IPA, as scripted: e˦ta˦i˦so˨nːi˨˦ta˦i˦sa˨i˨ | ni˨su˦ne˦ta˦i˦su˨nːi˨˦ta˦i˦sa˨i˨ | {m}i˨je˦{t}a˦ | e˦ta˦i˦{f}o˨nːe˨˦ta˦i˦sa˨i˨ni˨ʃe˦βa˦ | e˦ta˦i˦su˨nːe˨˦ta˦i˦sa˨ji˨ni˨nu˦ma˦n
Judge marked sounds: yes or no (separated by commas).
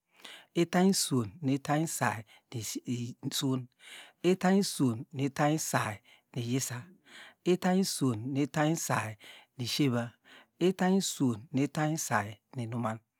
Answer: no, no, no